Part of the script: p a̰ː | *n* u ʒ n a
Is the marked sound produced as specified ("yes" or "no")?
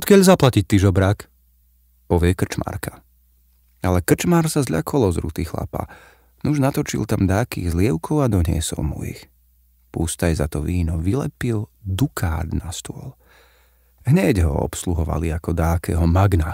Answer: yes